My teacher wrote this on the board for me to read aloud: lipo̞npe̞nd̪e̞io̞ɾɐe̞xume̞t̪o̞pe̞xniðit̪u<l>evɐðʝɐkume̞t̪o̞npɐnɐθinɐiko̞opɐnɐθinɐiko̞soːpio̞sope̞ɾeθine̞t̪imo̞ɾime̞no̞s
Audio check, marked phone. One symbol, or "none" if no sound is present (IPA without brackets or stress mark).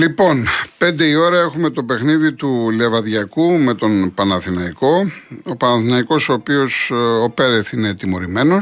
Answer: l